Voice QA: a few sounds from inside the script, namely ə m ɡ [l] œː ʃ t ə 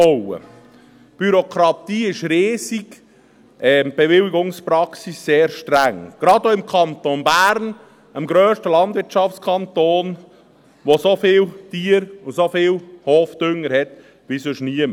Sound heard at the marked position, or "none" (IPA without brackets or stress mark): ɾ